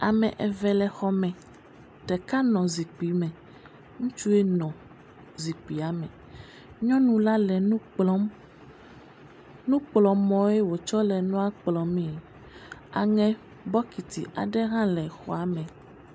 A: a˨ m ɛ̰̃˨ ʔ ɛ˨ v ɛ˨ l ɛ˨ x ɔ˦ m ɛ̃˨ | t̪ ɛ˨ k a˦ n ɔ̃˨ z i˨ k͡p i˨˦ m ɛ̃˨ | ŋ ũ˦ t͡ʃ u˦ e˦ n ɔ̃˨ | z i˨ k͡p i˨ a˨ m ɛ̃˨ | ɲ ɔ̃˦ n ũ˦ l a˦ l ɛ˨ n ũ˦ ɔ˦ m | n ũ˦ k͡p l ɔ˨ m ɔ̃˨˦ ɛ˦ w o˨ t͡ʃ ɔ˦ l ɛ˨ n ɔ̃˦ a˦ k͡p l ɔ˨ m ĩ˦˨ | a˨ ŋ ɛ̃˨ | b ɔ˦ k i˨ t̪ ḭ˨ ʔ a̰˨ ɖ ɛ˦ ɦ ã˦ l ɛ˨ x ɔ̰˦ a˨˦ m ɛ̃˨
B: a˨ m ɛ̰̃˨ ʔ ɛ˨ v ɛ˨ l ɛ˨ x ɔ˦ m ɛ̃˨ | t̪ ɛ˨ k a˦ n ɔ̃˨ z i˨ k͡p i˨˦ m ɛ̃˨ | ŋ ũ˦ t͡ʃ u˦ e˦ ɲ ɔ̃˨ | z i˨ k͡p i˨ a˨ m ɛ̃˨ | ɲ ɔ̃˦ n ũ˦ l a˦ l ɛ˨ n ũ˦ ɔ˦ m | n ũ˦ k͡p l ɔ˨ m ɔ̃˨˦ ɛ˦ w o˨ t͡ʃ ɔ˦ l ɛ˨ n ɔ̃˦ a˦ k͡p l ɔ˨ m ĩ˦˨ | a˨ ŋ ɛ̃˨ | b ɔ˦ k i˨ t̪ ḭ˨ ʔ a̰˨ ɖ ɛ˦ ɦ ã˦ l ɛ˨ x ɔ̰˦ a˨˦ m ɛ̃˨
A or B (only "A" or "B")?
A